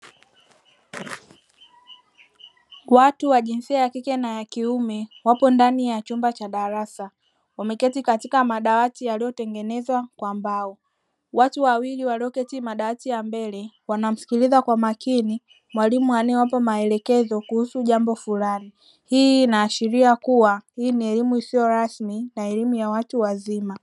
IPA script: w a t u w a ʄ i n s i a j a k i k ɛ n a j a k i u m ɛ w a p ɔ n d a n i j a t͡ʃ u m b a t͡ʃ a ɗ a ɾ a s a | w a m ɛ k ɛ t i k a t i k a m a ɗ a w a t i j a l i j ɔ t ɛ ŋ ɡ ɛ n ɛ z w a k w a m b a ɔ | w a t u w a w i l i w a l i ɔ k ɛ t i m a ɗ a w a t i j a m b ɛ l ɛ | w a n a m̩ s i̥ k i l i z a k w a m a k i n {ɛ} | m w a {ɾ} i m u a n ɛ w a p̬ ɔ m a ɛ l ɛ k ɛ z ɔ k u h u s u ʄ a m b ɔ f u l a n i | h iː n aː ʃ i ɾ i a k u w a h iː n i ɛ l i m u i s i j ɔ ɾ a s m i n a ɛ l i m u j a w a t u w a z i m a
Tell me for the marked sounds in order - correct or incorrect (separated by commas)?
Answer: incorrect, incorrect